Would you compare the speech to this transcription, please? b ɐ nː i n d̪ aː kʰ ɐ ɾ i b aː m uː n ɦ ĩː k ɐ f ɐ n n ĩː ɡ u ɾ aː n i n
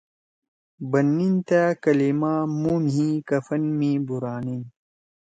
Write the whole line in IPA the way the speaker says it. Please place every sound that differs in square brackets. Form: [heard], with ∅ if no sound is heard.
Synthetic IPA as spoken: b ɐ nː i n [t̪] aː [k] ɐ [l] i [m] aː m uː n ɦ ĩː k ɐ f ɐ n [m] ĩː [b] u ɾ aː n i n